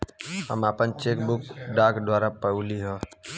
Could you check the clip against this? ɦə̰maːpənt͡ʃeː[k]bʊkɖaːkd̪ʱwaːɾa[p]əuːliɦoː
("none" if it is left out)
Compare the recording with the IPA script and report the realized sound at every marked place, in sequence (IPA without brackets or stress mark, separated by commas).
k, p